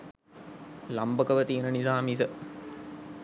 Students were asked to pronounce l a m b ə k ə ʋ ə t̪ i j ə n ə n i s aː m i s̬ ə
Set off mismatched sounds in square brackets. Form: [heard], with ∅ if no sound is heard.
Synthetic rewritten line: l a m b ə k ə ʋ ə t̪ i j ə n ə n i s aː m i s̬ ə